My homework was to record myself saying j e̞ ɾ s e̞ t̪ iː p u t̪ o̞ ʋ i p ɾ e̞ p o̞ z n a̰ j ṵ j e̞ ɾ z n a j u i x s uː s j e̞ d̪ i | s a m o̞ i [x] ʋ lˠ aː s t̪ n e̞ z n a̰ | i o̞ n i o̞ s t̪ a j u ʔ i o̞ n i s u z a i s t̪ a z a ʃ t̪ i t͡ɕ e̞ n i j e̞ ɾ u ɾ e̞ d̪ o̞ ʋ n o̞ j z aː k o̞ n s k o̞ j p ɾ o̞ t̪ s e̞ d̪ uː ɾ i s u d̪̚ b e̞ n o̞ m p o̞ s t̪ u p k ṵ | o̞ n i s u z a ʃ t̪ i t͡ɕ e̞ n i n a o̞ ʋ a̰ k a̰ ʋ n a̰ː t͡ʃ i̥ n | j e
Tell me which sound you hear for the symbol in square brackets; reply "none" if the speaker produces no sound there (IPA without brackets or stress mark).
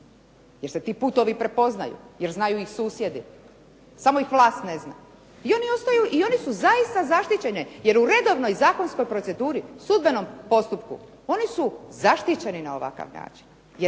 x